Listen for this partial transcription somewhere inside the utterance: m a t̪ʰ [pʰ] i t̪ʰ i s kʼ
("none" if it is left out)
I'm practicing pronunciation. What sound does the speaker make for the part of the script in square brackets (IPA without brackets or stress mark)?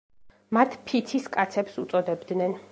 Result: pʰ